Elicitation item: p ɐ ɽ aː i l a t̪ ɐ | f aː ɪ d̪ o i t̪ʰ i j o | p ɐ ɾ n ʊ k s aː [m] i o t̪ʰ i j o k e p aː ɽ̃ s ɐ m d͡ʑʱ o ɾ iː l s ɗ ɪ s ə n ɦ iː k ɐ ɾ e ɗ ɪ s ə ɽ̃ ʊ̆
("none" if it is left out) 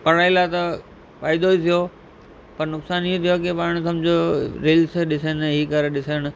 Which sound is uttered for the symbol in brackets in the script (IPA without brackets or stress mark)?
n